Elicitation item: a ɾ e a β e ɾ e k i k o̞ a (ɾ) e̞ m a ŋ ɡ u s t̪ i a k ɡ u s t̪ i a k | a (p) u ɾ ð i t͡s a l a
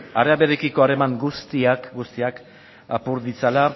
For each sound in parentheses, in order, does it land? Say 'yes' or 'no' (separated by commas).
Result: yes, yes